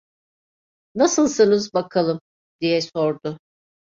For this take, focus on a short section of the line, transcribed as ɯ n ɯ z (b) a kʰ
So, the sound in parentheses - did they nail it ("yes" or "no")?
yes